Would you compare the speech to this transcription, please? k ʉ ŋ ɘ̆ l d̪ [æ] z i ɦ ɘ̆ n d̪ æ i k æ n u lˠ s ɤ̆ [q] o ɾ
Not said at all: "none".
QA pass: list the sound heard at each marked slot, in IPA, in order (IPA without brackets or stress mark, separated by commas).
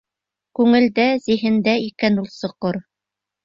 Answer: æ, q